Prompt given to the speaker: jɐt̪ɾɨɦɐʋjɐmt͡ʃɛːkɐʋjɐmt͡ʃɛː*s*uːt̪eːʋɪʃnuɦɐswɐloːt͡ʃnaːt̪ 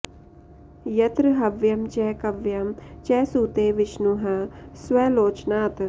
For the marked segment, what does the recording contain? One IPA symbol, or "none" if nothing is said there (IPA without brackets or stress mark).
s